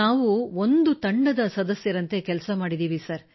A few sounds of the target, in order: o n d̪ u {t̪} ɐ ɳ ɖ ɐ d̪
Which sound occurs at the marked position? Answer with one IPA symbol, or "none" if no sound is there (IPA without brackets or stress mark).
t̪